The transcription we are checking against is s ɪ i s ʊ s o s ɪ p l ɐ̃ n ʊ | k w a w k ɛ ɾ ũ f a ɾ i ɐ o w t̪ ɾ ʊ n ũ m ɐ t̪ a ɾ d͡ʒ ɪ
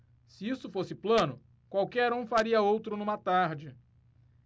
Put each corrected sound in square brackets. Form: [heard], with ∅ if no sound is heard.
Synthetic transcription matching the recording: s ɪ i s ʊ [f] o s ɪ p l ɐ̃ n ʊ | k w a w k ɛ ɾ ũ f a ɾ i ɐ o w t̪ ɾ ʊ n ũ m ɐ t̪ a ɾ d͡ʒ ɪ